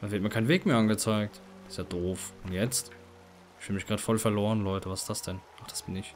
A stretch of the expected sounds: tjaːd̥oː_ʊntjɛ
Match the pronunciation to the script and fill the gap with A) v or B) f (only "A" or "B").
B